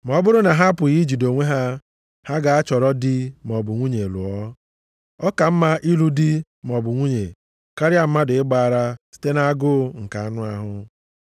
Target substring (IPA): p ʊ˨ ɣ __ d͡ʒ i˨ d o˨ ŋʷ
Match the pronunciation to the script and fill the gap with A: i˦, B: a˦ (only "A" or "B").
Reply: A